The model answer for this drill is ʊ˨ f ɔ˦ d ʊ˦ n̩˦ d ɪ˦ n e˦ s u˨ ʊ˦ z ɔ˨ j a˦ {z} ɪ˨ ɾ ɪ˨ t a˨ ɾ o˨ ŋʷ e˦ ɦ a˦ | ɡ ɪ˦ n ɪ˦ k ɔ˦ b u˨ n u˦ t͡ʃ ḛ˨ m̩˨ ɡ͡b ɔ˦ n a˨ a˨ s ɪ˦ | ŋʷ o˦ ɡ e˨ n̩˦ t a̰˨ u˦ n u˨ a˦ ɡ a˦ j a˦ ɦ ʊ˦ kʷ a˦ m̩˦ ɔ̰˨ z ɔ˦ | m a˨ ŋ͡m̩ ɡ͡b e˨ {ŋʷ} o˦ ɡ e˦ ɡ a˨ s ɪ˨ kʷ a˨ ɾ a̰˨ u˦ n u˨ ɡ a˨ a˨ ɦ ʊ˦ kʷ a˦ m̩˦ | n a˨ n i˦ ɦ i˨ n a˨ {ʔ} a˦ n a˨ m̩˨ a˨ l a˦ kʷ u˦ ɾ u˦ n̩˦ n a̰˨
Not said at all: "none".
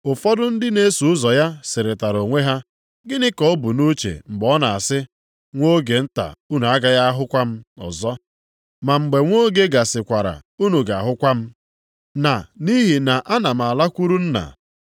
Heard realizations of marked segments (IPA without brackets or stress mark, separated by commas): s, ŋʷ, ʔ